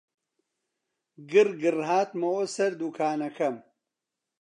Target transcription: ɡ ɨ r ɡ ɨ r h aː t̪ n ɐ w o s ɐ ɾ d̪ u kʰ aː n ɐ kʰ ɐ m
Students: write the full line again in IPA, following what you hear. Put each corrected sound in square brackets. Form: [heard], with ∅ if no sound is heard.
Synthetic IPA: ɡ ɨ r ɡ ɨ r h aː t̪ [m] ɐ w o s ɐ ɾ d̪ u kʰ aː n ɐ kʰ ɐ m